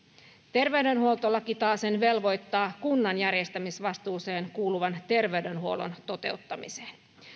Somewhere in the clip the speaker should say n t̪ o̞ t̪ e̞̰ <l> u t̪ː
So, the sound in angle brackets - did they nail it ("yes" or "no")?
no